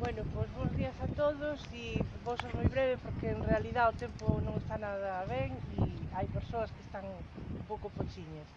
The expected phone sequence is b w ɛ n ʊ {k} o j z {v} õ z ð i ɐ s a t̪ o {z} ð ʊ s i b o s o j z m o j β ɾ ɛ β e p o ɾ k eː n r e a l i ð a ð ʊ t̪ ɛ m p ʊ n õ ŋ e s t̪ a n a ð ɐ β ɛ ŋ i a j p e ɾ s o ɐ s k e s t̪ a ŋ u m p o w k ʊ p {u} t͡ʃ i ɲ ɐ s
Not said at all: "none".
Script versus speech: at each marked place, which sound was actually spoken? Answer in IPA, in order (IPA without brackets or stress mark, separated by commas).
p, β, none, o